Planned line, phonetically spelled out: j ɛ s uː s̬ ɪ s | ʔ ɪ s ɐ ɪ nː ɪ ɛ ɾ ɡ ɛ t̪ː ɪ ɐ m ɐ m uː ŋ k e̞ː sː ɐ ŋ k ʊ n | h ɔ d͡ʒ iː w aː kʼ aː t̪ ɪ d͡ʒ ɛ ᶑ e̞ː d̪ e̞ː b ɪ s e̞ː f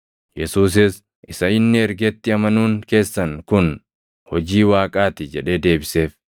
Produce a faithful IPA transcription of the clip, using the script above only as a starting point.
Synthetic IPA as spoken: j ɛ s uː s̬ ɪ s | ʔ ɪ s ɐ ɪ nː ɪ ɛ ɾ ɡ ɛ t̪ː ɪ ɐ m ɐ n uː ŋ k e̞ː sː ɐ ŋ k ʊ n | h ɔ d͡ʒ iː w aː kʼ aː t̪ ɪ d͡ʒ ɛ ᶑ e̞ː d̪ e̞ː b ɪ s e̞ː f